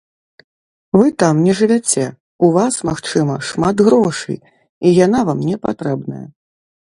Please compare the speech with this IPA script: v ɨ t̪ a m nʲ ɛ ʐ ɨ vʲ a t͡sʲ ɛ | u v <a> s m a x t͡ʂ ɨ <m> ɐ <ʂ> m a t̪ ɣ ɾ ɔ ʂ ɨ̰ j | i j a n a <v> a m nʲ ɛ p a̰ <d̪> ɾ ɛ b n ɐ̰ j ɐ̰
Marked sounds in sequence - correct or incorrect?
correct, correct, correct, correct, incorrect: t̪

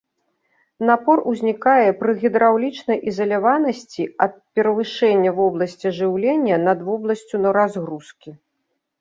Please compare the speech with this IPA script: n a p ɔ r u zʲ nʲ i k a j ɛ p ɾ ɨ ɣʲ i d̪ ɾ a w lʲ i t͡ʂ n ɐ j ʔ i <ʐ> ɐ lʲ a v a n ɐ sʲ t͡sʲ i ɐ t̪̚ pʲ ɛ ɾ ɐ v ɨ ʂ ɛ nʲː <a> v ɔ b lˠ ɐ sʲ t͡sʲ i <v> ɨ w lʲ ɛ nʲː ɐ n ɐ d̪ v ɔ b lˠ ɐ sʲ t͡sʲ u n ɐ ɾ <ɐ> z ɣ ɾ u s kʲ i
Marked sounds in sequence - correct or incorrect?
incorrect: z, incorrect: ɐ, incorrect: ʐ, incorrect: a

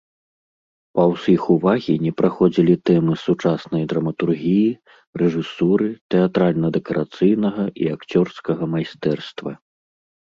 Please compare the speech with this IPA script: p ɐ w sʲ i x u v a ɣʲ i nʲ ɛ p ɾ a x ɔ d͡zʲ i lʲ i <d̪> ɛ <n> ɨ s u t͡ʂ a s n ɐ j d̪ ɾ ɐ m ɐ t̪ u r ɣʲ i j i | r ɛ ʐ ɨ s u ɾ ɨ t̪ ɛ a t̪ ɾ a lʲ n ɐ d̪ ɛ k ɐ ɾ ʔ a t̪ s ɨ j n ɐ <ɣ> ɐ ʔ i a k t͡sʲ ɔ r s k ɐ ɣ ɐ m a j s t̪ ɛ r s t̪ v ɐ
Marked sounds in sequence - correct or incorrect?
incorrect: t̪, incorrect: m, correct

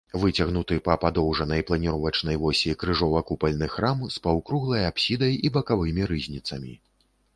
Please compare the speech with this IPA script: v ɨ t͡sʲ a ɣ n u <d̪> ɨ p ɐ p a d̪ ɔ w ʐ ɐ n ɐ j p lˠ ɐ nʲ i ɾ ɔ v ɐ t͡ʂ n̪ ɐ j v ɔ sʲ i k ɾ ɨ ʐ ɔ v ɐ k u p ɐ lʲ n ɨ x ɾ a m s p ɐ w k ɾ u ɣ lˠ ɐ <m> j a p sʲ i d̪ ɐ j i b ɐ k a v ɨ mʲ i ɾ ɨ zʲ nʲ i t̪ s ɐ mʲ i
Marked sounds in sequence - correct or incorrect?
incorrect: t̪, incorrect: none

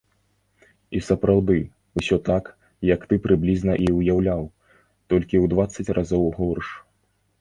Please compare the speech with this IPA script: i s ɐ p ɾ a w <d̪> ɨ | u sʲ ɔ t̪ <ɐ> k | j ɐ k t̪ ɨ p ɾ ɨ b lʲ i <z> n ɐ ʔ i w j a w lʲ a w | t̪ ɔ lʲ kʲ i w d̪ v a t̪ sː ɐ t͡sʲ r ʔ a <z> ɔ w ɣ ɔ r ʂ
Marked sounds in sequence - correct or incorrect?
correct, incorrect: a, correct, correct

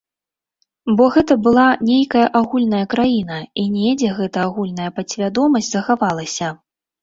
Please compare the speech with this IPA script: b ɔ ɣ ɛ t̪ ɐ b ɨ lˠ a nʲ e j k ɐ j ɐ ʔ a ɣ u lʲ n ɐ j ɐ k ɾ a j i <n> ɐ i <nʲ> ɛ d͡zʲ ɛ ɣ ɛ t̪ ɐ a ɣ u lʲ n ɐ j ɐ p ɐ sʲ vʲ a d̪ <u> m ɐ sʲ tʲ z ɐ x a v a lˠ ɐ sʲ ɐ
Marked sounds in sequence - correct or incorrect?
correct, correct, incorrect: ɔ

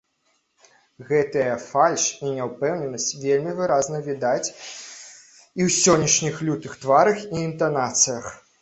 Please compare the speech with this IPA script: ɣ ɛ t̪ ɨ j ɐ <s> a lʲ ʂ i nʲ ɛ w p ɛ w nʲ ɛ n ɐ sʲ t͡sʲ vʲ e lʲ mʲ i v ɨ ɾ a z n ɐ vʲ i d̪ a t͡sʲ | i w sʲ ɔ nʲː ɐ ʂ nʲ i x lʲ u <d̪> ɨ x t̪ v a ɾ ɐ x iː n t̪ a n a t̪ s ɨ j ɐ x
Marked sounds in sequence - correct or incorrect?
incorrect: f, incorrect: t̪

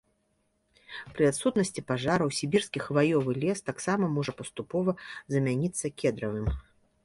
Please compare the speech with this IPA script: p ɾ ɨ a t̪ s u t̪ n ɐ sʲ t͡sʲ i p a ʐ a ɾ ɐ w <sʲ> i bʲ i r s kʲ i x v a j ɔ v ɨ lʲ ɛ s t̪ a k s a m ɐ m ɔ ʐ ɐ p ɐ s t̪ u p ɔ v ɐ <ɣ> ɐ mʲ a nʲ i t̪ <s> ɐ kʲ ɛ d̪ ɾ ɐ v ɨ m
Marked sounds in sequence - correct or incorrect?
correct, incorrect: z, incorrect: sː

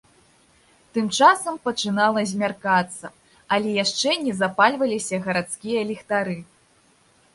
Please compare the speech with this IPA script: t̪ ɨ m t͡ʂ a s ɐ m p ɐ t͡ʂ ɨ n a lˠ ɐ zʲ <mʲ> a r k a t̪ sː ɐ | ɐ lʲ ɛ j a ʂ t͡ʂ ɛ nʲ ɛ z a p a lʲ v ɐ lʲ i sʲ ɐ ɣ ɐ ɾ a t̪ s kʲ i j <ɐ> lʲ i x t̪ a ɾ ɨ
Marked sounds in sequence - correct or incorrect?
correct, correct

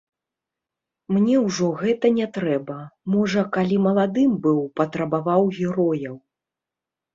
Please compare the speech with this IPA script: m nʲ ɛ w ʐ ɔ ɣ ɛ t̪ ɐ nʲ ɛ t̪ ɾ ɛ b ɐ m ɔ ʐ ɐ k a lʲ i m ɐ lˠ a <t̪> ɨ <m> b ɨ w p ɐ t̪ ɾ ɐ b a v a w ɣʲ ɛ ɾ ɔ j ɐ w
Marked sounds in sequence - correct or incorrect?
incorrect: d̪, correct

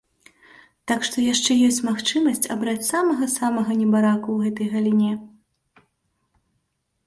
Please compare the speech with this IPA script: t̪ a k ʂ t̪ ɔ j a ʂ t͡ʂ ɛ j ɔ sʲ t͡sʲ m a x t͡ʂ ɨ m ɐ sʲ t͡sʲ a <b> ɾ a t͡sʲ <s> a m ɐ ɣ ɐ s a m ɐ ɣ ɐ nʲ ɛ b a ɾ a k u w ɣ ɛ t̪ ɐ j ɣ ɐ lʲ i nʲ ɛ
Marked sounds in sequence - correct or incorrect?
correct, correct

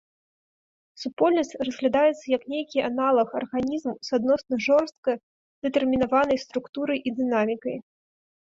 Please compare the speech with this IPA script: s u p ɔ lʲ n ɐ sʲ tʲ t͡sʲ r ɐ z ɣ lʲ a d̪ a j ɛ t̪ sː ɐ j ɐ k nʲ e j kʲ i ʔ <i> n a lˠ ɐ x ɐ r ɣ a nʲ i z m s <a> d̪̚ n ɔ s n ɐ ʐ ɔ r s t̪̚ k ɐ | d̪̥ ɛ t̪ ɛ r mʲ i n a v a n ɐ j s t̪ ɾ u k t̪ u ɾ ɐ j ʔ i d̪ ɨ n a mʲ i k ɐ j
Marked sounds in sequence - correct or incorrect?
incorrect: a, correct

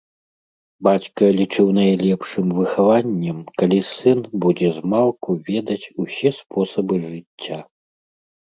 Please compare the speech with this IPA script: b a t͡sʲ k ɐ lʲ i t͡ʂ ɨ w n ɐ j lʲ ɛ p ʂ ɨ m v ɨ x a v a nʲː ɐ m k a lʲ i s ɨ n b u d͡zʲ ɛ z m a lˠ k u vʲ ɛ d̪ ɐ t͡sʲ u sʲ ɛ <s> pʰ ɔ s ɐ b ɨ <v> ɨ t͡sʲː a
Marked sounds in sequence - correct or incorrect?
correct, incorrect: ʐ

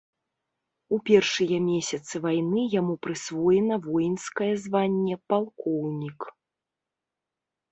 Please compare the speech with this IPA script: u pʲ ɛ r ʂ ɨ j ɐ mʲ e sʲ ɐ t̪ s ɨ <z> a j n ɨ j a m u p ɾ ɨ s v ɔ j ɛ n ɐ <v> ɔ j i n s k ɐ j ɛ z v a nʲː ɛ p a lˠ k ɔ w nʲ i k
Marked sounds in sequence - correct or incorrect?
incorrect: v, correct

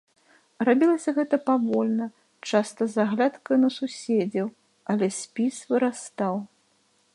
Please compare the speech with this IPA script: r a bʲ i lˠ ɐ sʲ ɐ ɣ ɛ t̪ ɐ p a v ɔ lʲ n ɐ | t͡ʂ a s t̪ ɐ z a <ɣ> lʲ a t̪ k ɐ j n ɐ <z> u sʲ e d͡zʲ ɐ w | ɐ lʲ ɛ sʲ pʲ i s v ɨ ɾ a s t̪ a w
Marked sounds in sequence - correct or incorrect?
correct, incorrect: s

